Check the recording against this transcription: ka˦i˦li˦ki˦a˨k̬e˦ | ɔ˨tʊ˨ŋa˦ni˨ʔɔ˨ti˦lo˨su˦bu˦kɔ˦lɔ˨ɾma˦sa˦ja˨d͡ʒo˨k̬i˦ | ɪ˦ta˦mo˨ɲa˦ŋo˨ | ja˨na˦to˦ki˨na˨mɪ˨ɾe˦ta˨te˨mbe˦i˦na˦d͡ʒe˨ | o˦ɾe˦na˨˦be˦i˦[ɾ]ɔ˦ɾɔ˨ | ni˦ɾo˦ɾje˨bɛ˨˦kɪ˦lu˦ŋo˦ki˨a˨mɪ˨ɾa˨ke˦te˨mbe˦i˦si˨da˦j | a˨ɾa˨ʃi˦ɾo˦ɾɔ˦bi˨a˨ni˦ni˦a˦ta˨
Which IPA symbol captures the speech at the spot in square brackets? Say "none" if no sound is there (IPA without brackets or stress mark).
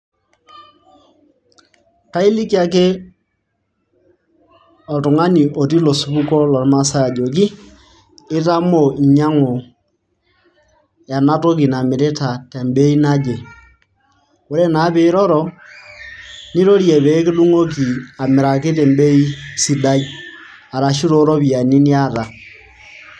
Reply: ɾ